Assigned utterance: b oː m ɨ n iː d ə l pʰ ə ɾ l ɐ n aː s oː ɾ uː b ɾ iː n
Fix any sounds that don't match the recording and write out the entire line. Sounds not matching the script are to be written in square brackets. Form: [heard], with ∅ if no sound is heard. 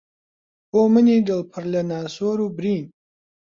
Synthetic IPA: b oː m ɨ n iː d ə l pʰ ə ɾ l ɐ n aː s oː ɾ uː b ɾ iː n